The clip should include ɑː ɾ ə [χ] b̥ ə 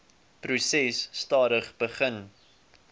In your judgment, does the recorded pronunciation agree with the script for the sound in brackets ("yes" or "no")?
yes